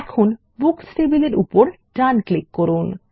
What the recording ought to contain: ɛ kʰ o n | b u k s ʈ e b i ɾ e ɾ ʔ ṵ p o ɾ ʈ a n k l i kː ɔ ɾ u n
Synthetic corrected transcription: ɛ kʰ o n | b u k s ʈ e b i l e ɾ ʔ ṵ p o ɾ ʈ a n k l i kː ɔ ɾ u n